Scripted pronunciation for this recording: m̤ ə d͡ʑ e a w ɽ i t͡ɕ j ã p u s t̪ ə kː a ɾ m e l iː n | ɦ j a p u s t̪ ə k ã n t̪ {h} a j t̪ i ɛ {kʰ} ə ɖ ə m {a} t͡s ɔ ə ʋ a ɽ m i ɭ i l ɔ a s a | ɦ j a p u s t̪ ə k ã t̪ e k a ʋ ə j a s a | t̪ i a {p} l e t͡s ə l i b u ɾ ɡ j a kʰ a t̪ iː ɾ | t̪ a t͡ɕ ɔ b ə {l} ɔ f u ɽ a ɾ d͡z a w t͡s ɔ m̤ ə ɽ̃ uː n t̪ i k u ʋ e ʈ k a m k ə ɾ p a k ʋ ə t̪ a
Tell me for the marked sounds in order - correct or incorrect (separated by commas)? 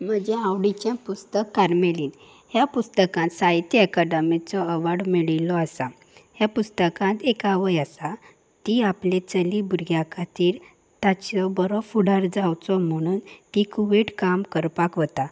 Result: incorrect, incorrect, incorrect, correct, incorrect